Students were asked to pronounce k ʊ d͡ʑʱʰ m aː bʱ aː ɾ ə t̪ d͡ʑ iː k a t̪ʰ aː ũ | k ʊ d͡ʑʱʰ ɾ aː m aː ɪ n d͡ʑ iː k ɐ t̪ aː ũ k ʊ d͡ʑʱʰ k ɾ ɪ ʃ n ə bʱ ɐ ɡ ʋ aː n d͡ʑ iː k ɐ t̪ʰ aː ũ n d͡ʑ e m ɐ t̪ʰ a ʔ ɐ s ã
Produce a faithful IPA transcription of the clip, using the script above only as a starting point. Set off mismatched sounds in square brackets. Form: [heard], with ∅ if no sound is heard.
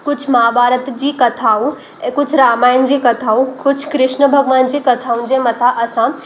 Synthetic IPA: k ʊ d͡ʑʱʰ m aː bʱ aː ɾ ə t̪ d͡ʑ iː k [ɐ] t̪ʰ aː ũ | k ʊ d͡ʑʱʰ ɾ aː m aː ɪ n d͡ʑ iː k ɐ [t̪ʰ] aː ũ k ʊ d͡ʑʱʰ k ɾ ɪ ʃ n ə bʱ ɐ ɡ ʋ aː n d͡ʑ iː k ɐ t̪ʰ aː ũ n d͡ʑ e m ɐ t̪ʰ a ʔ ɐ s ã